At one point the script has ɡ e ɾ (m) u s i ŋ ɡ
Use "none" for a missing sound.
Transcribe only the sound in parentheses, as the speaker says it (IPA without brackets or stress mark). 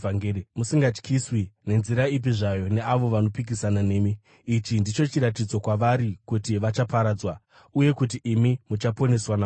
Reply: m